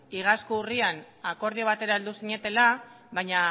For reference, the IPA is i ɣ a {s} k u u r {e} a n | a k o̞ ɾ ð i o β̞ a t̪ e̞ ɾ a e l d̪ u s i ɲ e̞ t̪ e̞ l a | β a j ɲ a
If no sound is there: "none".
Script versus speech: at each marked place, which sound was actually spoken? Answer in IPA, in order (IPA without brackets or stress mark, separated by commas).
s, i